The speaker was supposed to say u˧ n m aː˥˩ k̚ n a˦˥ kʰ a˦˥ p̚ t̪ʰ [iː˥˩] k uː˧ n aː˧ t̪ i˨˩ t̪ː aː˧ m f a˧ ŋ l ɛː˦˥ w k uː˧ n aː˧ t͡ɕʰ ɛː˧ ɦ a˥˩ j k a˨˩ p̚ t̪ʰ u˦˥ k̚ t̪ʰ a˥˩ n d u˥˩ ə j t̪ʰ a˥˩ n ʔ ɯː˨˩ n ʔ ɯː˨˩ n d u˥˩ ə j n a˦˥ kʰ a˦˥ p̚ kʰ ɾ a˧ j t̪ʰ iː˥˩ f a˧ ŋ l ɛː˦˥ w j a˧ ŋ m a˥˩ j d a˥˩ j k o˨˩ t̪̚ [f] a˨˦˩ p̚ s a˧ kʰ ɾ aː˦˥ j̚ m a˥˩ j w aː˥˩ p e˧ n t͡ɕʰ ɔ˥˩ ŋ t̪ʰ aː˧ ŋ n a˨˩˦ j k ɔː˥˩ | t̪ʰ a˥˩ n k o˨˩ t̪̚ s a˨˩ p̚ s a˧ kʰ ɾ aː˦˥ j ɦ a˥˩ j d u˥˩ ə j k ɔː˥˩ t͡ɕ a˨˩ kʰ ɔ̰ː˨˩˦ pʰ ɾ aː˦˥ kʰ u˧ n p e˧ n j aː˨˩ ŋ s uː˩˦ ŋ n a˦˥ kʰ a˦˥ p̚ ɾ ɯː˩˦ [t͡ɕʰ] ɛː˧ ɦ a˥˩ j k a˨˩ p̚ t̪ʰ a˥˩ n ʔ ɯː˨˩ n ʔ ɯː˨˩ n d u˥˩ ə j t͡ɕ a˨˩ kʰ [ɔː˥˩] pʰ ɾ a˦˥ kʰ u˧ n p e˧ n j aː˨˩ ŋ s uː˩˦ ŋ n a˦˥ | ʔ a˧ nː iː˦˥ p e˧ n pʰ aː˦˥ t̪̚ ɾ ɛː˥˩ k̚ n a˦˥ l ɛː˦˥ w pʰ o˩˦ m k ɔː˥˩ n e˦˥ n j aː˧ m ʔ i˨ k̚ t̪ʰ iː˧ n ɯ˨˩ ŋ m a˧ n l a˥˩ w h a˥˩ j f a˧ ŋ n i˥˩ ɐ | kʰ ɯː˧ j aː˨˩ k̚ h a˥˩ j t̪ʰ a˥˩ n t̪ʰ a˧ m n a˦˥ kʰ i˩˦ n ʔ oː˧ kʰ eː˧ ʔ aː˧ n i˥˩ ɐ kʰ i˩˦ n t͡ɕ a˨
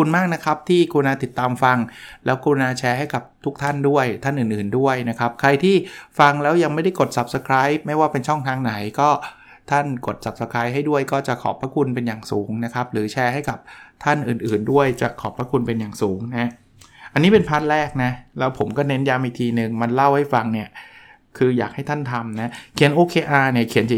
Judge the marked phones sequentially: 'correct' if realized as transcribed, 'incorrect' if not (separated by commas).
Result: correct, incorrect, correct, incorrect